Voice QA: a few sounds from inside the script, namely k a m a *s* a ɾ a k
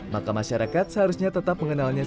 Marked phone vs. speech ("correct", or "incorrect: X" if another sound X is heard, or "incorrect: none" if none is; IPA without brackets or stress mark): incorrect: ʃ